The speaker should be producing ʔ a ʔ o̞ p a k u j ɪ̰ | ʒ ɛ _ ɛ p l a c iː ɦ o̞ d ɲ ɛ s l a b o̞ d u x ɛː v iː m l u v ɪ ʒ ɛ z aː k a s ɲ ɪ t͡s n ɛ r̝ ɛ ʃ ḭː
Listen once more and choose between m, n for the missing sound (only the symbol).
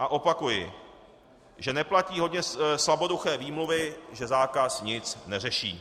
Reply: n